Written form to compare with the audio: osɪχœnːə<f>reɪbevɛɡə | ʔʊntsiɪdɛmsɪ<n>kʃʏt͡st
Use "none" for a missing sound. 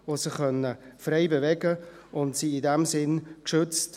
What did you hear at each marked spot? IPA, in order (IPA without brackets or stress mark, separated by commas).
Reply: f, n